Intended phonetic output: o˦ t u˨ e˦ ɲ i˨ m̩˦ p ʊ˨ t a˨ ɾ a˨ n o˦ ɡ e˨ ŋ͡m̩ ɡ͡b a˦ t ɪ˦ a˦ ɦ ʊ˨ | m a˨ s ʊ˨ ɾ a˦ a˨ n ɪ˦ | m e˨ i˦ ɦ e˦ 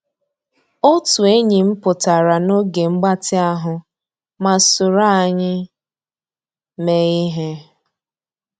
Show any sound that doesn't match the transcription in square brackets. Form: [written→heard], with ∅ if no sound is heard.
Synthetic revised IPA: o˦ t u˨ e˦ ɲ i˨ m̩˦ p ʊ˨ t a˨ ɾ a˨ n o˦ ɡ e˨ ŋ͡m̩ ɡ͡b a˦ t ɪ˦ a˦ ɦ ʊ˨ | m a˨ s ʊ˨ ɾ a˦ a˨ [n→ɲ] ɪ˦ | m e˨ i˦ ɦ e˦